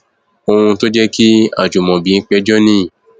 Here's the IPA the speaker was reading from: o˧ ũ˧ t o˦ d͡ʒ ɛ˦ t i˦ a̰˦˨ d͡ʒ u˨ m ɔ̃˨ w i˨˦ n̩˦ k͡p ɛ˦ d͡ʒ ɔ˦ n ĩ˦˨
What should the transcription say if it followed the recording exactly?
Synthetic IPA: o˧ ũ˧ t o˦ d͡ʒ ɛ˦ k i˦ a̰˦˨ d͡ʒ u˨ m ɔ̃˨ b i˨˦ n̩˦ k͡p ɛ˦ d͡ʒ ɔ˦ n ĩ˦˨